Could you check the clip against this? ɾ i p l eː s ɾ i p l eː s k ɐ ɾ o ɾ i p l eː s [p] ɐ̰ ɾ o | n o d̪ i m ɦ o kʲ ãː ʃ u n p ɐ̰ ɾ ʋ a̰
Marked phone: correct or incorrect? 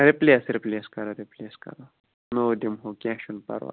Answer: incorrect